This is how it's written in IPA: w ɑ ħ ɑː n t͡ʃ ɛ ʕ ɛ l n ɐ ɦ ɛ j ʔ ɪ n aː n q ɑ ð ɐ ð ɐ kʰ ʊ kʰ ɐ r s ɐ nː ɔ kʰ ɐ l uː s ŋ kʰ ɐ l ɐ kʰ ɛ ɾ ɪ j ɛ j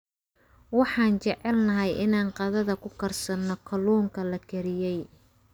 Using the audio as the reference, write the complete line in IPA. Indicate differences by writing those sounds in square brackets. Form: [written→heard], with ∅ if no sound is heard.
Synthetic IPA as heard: w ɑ ħ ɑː n t͡ʃ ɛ ʕ ɛ l n ɐ ɦ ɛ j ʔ ɪ n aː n q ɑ ð ɐ ð ɐ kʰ ʊ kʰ ɐ r s ɐ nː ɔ kʰ ɐ l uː [s→∅] ŋ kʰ ɐ l ɐ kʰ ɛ ɾ ɪ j ɛ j

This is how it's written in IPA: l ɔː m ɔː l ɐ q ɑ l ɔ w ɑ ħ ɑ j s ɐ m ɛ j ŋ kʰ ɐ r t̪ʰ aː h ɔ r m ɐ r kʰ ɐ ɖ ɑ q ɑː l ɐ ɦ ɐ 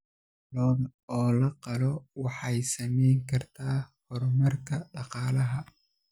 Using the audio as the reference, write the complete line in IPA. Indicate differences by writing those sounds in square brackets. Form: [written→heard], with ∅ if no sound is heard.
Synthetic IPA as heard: l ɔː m ɔː l ɐ q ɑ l ɔ w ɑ ħ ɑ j s ɐ m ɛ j ŋ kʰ ɐ r t̪ʰ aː h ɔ r m ɐ r kʰ ɐ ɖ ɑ q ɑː l ɐ ɦ ɐ

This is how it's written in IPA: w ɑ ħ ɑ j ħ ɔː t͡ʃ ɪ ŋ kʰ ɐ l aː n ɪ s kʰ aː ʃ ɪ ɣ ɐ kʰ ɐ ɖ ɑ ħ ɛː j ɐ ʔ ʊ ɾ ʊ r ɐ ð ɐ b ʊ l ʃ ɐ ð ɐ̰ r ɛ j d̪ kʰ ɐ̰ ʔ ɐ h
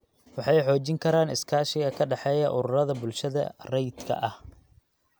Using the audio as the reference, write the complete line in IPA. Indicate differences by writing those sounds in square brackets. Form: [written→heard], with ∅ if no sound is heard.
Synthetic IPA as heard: w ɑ ħ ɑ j ħ ɔː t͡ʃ ɪ ŋ kʰ ɐ [l→ɾ] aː n ɪ s kʰ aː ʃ ɪ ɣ ɐ kʰ ɐ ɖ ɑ ħ ɛː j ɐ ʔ ʊ ɾ ʊ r ɐ ð ɐ b ʊ l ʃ ɐ ð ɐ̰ r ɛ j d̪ kʰ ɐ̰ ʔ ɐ h

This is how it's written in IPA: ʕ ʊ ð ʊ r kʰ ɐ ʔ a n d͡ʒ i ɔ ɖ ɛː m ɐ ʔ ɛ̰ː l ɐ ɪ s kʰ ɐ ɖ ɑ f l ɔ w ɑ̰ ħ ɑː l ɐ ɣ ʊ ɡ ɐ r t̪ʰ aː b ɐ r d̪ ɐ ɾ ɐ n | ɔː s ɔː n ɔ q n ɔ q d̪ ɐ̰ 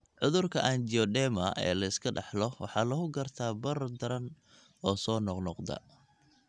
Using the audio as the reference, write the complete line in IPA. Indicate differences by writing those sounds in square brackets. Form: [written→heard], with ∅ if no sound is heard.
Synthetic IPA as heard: ʕ ʊ ð ʊ r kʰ ɐ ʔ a n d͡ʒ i ɔ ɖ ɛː m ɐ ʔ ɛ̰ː l ɐ ɪ s kʰ ɐ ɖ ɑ [f→ħ] l ɔ w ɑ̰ ħ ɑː l ɐ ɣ ʊ ɡ ɐ r t̪ʰ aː b ɐ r d̪ ɐ ɾ ɐ n | ɔː s ɔː n ɔ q n ɔ q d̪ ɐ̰

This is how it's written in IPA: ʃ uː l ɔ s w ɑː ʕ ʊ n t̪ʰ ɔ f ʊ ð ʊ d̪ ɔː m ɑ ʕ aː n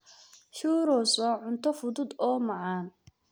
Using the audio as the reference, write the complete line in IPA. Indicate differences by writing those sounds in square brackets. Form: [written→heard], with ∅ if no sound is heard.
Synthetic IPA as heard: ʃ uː [l→ɾ] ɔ s w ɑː ʕ ʊ n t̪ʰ ɔ f ʊ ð ʊ d̪ ɔː m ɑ ʕ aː n

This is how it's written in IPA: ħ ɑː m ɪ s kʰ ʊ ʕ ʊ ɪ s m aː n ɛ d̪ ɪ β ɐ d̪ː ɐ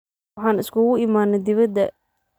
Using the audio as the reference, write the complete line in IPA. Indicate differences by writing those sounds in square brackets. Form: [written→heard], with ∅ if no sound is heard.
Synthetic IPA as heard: ħ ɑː [m→n] ɪ s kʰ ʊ [ʕ→ɣ] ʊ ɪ [s→∅] m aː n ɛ d̪ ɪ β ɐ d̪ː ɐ

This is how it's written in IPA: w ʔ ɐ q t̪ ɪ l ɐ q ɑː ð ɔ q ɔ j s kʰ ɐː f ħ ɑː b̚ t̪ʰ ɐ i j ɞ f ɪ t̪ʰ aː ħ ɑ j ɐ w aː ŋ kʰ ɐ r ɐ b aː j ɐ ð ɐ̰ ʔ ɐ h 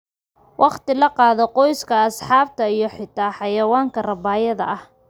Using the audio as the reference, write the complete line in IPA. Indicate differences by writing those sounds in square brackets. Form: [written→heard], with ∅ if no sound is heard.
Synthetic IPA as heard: w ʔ [ɐ→ɑ] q t̪ ɪ l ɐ q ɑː ð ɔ q ɔ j s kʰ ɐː [f→s] ħ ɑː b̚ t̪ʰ ɐ i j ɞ [f→ħ] ɪ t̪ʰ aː ħ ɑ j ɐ w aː ŋ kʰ ɐ r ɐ b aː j ɐ ð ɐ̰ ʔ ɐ h

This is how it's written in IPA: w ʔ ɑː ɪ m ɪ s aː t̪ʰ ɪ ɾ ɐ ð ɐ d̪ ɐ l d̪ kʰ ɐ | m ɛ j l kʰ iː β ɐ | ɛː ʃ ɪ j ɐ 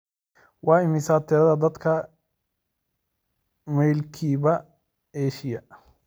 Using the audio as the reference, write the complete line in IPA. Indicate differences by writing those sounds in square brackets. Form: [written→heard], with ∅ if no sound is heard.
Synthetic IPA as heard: w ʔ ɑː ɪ m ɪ s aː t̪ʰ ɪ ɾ ɐ ð ɐ d̪ ɐ [l→∅] d̪ kʰ ɐ | m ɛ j l kʰ iː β ɐ | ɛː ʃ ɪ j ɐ

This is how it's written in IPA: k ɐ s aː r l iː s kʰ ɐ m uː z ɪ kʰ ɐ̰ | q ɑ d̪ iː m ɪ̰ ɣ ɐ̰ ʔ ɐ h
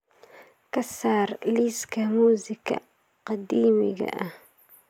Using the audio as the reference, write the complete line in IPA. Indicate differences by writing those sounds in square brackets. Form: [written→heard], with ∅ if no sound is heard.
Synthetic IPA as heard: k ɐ s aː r l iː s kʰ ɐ m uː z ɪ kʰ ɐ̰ | q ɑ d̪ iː m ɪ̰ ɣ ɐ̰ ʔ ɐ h

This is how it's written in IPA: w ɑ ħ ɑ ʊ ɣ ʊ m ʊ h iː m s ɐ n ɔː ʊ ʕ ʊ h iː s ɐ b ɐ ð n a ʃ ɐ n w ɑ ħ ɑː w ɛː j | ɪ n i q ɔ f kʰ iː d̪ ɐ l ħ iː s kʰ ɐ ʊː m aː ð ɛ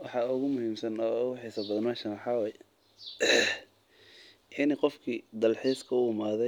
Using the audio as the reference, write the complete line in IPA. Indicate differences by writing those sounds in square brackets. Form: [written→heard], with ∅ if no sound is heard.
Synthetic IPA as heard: w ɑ ħ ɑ ʊ ɣ ʊ m ʊ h iː m s ɐ n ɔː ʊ [ʕ→ɣ] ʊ [h→ħ] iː s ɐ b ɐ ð n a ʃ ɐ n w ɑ ħ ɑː w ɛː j | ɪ n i q ɔ f kʰ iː d̪ ɐ l ħ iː s kʰ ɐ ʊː m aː ð ɛ

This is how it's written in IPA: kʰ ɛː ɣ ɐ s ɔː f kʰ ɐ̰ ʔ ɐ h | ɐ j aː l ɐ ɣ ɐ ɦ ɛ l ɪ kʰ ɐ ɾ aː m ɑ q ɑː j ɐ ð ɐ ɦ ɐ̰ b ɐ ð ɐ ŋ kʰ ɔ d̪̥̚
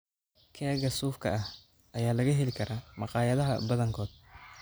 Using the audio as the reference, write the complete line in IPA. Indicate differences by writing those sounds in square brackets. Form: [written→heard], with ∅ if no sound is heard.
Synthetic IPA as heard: kʰ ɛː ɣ ɐ s [ɔː→uː] f kʰ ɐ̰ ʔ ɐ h | ɐ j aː l ɐ ɣ ɐ ɦ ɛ l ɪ kʰ ɐ ɾ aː m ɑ q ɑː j ɐ ð ɐ ɦ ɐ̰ b ɐ ð ɐ ŋ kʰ [ɔ→ɔː] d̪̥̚

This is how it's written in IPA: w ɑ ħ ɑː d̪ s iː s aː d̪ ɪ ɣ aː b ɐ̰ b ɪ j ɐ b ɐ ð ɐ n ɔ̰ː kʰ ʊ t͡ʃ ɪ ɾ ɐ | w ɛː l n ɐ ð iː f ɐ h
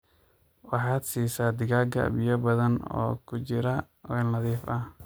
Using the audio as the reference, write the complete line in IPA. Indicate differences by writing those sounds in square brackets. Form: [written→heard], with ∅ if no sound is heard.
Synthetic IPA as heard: w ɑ ħ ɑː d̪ s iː s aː d̪ ɪ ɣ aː [b→ɡ] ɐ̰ b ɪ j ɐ b ɐ ð ɐ n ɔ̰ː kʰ ʊ t͡ʃ ɪ ɾ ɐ | w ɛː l n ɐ ð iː f ɐ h

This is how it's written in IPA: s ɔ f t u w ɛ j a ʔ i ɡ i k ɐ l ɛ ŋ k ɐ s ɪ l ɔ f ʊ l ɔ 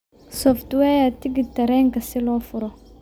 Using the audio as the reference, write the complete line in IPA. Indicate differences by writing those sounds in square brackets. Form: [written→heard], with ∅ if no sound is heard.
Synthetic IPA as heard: s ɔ f t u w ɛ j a [ʔ→t] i ɡ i [k→t] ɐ [l→ɾ] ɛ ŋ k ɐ s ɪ l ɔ f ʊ [l→ɾ] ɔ

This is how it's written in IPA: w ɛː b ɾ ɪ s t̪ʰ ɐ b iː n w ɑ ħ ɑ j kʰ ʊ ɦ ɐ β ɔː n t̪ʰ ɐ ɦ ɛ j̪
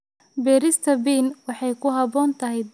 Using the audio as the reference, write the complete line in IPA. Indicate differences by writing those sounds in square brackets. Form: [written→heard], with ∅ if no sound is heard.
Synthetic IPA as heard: [w→b] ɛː [b→∅] ɾ ɪ s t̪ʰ ɐ b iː n w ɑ ħ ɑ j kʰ ʊ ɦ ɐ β ɔː n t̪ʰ ɐ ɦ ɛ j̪

